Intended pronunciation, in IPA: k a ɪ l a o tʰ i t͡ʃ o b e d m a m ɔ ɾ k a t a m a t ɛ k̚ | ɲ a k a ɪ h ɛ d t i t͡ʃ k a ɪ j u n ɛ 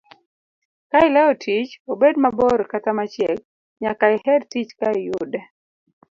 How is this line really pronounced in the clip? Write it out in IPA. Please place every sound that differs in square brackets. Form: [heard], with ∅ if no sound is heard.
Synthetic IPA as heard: k a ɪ l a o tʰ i t͡ʃ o b e d m a [b] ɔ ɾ k a t a m a [t͡ʃ] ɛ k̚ | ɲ a k a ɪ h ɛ d t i t͡ʃ k a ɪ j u [d] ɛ